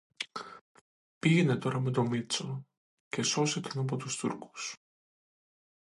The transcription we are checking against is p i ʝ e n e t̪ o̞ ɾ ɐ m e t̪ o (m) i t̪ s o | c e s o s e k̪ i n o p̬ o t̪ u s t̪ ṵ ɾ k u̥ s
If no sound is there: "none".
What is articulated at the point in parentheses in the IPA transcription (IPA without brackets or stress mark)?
m